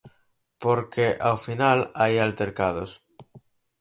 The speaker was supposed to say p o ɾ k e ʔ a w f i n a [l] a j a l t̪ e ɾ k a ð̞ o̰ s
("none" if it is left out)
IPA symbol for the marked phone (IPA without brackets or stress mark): l